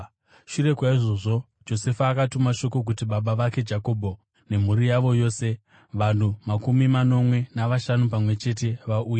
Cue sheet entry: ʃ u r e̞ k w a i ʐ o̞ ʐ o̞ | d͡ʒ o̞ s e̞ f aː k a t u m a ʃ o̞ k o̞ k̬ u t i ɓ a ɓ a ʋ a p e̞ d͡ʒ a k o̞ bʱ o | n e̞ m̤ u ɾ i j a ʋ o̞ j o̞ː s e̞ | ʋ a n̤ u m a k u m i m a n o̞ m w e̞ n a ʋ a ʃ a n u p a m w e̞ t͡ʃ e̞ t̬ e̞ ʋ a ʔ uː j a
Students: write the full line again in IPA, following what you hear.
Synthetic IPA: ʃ u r e̞ k w a i ʐ o̞ ʐ o̞ | d͡ʒ o̞ s e̞ f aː k a t u m a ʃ o̞ k o̞ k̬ u t i ɓ a ɓ a ʋ a k e̞ d͡ʒ a k o̞ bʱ o | n e̞ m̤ u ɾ i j a ʋ o̞ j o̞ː s e̞ | ʋ a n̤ u m a k u m i m a n o̞ m w e̞ n a ʋ a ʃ a n u p a m w e̞ t͡ʃ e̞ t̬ e̞ ʋ a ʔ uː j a